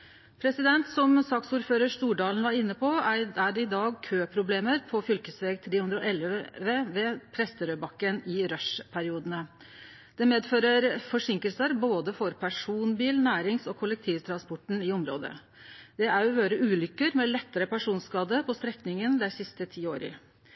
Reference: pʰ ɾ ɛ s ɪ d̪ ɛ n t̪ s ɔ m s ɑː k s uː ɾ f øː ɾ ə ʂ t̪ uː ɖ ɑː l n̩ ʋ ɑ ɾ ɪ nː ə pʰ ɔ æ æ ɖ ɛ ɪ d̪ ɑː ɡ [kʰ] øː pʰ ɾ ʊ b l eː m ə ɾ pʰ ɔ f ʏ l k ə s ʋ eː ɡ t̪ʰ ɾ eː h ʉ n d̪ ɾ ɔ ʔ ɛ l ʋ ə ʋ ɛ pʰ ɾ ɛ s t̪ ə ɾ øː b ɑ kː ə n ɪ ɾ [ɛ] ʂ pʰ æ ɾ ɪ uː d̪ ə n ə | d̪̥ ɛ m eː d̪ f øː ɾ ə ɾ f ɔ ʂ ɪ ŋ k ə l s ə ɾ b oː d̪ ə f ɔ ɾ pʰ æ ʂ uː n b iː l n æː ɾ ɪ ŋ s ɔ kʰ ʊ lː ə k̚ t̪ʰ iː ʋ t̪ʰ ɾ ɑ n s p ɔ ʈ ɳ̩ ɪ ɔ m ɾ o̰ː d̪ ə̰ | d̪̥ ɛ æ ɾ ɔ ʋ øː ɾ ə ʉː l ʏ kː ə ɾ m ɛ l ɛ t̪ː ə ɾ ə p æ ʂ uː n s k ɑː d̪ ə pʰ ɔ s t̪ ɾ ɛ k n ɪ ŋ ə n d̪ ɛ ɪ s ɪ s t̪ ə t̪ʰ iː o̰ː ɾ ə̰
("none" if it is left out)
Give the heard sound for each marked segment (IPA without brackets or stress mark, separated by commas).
kʰ, œ